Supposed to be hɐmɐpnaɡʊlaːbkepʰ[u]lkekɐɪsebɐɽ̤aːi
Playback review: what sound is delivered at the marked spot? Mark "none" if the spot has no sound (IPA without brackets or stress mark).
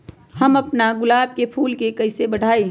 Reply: uː